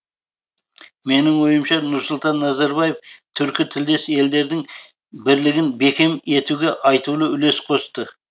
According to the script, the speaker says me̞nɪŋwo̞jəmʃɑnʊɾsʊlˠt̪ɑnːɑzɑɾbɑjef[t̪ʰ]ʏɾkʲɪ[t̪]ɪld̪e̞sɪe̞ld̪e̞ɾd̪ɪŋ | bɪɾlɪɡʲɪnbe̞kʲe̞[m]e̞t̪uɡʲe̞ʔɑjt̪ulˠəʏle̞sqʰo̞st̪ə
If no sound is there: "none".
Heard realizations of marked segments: t̪ʰ, t̪ʰ, m

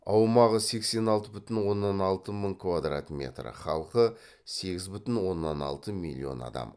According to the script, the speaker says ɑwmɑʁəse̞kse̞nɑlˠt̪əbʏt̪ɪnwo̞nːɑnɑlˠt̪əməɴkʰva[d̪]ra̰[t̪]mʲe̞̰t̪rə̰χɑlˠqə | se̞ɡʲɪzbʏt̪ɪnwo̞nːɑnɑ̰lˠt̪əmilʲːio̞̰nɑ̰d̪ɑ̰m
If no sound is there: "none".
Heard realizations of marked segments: d̪, t̪

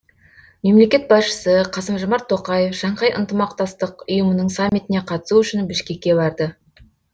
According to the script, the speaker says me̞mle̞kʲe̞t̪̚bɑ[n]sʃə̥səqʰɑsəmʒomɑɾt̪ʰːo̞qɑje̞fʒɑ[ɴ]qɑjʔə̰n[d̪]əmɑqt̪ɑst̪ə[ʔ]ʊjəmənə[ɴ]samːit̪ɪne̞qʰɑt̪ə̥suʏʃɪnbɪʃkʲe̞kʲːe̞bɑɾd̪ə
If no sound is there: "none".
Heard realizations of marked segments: none, ɴ, t̪, q, ɴ

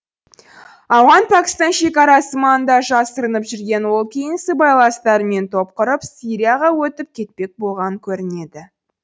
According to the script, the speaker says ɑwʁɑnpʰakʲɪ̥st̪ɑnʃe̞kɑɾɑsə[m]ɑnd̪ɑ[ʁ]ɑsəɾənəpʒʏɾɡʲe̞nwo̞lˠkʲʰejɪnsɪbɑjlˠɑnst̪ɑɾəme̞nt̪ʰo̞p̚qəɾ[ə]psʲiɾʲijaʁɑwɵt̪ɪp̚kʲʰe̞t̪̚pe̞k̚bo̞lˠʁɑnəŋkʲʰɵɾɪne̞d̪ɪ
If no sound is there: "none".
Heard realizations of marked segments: m, ʒ, ə

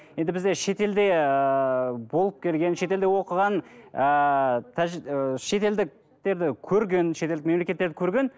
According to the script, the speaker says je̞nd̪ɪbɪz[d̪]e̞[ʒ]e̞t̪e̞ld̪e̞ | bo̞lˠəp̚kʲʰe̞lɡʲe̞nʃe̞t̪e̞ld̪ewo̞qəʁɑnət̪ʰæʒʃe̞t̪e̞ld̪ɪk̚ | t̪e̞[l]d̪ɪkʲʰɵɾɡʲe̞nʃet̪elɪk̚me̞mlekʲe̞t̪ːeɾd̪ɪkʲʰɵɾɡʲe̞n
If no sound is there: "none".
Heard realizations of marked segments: d̪, ʃ, ɾ

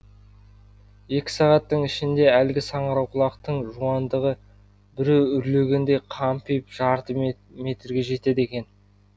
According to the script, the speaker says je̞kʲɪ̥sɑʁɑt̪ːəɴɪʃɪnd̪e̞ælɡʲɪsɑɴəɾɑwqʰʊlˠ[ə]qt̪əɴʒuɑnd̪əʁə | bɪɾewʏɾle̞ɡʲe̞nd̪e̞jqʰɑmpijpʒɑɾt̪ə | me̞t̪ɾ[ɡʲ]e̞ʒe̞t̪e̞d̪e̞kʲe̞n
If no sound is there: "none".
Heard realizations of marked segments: ɑ, ɡʲ

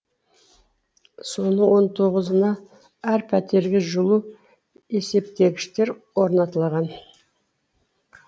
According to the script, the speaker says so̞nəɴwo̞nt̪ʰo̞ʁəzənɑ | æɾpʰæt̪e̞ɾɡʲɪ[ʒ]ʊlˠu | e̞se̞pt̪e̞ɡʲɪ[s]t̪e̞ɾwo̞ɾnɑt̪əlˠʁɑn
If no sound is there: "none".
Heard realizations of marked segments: ʒ, ʃ

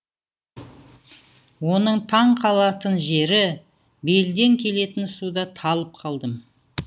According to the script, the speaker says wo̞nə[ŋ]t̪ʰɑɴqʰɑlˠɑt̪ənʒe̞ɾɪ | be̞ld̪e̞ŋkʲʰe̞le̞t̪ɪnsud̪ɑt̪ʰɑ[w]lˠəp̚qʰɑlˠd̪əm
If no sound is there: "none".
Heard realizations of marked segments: ɴ, none

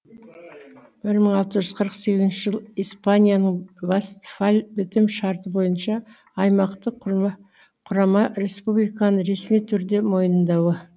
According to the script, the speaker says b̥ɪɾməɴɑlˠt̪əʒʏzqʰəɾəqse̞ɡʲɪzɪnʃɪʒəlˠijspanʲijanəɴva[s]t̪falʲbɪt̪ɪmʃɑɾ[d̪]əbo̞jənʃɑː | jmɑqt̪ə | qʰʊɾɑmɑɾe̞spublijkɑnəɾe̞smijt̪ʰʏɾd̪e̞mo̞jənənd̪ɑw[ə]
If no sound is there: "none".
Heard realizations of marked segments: s, t̪, ə

